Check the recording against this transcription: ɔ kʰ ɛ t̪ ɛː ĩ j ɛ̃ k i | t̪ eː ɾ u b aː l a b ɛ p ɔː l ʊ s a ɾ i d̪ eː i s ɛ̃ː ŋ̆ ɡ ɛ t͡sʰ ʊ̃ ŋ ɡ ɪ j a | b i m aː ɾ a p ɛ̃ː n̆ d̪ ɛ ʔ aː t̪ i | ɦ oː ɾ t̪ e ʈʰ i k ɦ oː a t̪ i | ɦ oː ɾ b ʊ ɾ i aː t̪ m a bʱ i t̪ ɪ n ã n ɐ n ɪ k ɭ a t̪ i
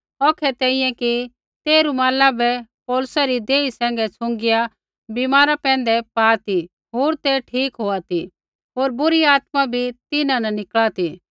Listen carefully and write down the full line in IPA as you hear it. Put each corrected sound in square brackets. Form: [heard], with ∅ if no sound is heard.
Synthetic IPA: ɔ kʰ ɛ t̪ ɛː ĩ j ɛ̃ k i | t̪ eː ɾ u [m] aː l a b ɛ p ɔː l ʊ s a ɾ i d̪ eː i s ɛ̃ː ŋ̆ ɡ ɛ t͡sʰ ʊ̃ ŋ ɡ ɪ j a | b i m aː ɾ a p ɛ̃ː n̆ d̪ ɛ [p] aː t̪ i | ɦ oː ɾ t̪ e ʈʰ [iː] k ɦ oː a t̪ i | ɦ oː ɾ b ʊ ɾ i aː t̪ m a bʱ i t̪ ɪ n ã n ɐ n ɪ k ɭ a t̪ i

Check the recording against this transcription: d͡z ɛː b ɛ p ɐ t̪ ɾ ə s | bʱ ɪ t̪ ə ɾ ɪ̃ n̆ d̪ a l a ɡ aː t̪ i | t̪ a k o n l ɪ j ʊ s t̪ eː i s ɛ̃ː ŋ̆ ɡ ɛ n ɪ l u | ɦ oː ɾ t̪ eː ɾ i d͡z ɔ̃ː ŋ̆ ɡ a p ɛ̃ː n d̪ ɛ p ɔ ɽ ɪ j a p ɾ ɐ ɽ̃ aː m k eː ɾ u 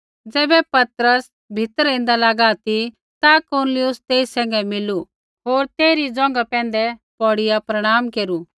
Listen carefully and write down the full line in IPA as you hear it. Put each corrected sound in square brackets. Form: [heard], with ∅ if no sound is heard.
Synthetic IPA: d͡z ɛː b ɛ p ɐ t̪ ɾ ə s | bʱ ɪ t̪ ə ɾ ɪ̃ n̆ d̪ a l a ɡ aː t̪ i | t̪ a k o n l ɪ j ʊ s t̪ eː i s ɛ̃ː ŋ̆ ɡ ɛ [m] ɪ l u | ɦ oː ɾ t̪ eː ɾ i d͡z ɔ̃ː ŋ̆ ɡ a p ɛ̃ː n d̪ ɛ p ɔ ɽ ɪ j a p ɾ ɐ ɽ̃ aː m k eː ɾ u

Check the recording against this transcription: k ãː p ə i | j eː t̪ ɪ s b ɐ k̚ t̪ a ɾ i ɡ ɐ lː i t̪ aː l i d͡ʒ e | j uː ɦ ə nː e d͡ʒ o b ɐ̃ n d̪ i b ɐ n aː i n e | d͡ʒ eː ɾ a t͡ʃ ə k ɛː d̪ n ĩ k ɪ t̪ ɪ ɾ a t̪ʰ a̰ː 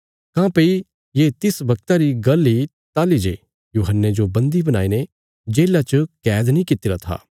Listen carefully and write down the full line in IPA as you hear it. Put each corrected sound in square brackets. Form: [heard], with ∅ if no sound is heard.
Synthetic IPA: k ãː p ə i | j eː t̪ ɪ s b ɐ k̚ t̪ a ɾ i ɡ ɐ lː i t̪ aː l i d͡ʒ e | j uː ɦ ə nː e d͡ʒ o b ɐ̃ n d̪ i b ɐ n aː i n e | d͡ʒ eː [l] a t͡ʃ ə k ɛː d̪ n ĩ k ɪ t̪ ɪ ɾ a t̪ʰ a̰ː

